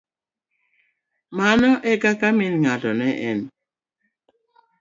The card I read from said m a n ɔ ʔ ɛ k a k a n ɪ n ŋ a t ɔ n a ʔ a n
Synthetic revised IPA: m a n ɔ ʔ ɛ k a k a m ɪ n ŋ a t ɔ n ɛ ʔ ɛ n